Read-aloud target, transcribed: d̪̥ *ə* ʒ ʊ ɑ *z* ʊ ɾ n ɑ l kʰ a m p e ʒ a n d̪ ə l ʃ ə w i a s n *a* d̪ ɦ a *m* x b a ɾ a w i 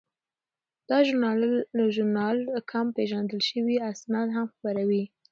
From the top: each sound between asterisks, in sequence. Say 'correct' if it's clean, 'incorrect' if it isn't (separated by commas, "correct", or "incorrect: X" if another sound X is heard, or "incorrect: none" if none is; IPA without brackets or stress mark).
incorrect: ɑ, incorrect: ʒ, incorrect: ɑ, correct